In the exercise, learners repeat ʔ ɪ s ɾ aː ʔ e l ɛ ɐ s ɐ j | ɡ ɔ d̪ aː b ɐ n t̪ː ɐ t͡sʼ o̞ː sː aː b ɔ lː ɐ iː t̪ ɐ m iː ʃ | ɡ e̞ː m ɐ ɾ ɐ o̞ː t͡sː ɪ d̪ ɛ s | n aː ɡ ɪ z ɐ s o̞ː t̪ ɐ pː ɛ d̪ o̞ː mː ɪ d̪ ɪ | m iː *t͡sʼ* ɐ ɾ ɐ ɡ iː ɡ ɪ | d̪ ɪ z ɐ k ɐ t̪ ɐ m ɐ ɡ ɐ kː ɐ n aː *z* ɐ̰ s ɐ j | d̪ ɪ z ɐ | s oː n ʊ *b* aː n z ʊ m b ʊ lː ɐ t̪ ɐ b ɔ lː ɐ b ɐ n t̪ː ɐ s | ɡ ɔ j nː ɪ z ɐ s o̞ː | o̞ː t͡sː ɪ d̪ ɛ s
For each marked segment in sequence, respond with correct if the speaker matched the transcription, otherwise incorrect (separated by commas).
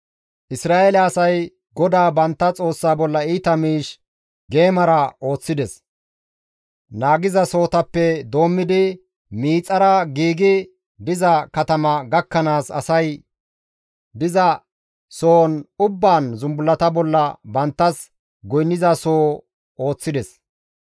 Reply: correct, incorrect, incorrect